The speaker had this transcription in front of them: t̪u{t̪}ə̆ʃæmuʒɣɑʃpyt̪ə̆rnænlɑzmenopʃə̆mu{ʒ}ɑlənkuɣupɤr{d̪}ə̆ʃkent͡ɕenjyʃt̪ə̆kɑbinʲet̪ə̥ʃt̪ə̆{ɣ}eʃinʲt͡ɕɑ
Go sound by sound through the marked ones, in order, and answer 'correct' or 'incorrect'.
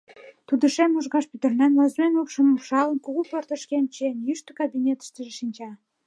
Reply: incorrect: d̪, incorrect: ʃ, incorrect: t̪, incorrect: ʒ

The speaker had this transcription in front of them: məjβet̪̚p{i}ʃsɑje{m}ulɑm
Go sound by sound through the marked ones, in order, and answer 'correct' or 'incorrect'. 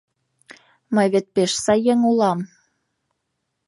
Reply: incorrect: e, incorrect: ŋ

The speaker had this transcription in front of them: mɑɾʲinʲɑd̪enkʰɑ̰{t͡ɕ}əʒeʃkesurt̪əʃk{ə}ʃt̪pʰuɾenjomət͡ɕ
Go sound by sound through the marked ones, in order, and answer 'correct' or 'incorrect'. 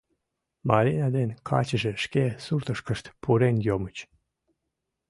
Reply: correct, correct

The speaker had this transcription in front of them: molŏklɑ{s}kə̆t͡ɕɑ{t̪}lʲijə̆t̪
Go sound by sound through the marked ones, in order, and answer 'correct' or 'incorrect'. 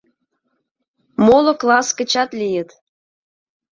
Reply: correct, correct

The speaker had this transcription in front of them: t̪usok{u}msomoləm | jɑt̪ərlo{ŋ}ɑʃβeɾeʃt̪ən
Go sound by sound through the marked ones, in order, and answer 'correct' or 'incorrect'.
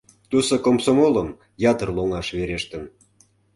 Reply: incorrect: o, correct

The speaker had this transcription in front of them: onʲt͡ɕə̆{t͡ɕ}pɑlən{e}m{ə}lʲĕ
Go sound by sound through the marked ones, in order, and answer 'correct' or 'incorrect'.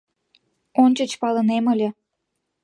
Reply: correct, correct, correct

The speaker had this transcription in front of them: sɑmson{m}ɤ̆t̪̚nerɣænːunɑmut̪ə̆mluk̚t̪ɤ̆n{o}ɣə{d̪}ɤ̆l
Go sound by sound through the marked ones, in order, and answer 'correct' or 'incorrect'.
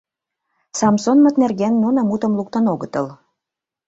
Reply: correct, correct, incorrect: t̪

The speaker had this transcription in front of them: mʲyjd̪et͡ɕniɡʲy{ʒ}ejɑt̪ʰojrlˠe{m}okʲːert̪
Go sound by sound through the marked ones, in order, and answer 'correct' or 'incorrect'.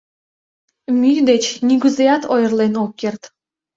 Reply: incorrect: z, incorrect: n

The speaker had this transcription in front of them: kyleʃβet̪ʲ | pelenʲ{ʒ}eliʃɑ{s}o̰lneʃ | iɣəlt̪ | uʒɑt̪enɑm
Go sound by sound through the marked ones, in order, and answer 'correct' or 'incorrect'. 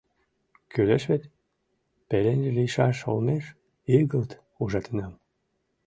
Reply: correct, incorrect: ʃ

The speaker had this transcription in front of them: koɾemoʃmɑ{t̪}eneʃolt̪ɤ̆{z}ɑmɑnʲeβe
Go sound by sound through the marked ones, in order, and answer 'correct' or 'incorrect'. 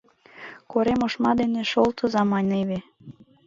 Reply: incorrect: d̪, correct

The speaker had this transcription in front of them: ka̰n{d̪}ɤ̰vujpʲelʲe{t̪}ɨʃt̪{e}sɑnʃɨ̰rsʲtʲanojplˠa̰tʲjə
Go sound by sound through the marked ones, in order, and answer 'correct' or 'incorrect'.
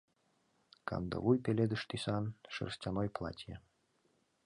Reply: correct, incorrect: d̪, incorrect: i

